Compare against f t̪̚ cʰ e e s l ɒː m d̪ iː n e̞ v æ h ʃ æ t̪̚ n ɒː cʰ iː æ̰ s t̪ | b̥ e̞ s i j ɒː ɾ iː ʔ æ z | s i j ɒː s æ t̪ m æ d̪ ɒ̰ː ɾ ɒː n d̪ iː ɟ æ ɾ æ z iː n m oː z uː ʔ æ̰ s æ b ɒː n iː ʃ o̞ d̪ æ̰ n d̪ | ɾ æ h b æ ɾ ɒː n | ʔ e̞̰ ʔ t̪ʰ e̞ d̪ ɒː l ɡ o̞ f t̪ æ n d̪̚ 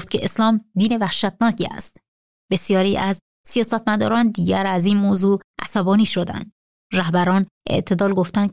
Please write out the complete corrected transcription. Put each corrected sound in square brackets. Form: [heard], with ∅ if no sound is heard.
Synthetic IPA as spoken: f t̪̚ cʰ e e s l ɒː m d̪ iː n e̞ v æ h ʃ æ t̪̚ n ɒː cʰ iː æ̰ s t̪ | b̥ e̞ s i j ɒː ɾ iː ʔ æ z | s i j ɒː s æ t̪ m æ d̪ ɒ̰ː ɾ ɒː n d̪ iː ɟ æ ɾ æ z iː n m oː z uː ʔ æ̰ s æ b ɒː n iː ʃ o̞ d̪ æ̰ n d̪ | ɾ æ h b æ ɾ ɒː n | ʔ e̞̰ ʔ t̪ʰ e̞ d̪ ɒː l ɡ o̞ f t̪ æ n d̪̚